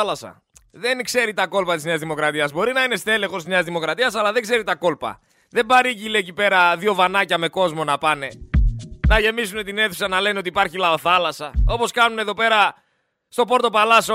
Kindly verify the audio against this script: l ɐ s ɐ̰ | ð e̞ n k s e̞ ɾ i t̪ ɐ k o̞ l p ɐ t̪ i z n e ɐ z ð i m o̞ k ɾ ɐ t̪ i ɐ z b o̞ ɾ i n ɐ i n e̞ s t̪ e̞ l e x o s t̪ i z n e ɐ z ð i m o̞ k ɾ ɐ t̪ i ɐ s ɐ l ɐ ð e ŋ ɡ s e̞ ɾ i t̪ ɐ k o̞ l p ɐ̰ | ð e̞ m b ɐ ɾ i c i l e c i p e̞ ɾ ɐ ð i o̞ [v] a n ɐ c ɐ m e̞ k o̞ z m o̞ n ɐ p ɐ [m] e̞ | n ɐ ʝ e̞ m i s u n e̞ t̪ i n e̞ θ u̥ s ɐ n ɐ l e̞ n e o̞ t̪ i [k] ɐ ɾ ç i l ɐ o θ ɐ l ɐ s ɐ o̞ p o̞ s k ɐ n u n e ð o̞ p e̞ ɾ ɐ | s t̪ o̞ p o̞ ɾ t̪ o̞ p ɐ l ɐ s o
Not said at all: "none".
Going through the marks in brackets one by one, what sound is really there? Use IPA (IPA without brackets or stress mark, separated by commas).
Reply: v, n, p